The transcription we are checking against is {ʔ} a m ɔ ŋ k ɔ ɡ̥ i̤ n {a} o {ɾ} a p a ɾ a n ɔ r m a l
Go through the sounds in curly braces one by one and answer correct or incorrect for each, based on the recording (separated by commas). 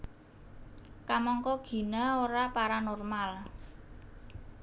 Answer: incorrect, correct, correct